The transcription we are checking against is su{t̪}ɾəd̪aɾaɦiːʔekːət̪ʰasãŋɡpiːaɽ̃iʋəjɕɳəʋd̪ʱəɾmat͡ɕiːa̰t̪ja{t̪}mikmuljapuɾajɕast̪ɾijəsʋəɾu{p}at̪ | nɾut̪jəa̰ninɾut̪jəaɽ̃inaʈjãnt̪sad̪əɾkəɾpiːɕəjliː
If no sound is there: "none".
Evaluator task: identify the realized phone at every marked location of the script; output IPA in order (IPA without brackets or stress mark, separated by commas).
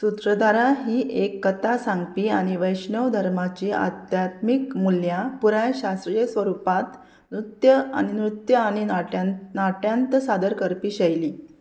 t̪, t̪, p